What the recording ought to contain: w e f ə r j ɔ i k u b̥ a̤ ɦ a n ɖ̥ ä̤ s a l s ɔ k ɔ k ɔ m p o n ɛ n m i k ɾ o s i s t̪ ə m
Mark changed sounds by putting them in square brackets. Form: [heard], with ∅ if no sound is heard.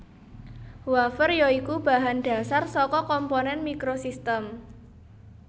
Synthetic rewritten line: w [a] f ə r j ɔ i k u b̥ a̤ ɦ a n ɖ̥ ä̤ s a [r] s ɔ k ɔ k ɔ m p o n ɛ n m i k ɾ o s i s t̪ ə m